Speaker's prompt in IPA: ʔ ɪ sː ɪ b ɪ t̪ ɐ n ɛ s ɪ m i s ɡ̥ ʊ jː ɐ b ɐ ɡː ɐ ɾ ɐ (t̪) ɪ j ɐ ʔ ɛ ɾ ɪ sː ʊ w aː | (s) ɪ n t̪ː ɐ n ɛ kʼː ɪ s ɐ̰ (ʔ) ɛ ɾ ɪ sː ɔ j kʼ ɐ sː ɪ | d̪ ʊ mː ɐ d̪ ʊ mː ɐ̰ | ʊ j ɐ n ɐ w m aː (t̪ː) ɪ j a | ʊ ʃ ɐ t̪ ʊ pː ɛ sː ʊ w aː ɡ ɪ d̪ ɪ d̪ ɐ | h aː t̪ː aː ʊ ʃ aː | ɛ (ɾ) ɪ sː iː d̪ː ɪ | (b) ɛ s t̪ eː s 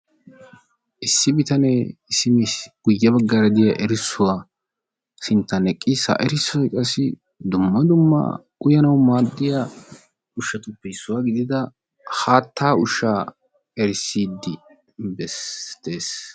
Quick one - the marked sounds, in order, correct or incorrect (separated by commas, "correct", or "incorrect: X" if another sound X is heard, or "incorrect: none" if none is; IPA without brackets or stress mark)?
incorrect: d̪, correct, correct, incorrect: d̪ː, correct, correct